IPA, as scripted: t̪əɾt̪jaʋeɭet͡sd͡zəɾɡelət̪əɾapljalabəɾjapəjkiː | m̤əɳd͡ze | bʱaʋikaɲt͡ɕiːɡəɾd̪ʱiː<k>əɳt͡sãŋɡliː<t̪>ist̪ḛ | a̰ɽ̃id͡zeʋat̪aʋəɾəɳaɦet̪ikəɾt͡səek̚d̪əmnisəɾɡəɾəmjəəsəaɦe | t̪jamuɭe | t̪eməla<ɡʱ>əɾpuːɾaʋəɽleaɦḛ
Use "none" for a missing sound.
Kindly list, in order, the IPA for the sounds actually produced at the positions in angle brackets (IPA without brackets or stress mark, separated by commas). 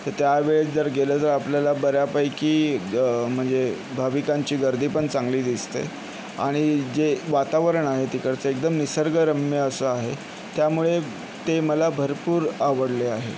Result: p, d̪, bʱ